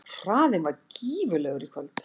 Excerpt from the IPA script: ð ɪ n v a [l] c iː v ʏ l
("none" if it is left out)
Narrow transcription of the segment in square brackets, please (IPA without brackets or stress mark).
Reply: ɾ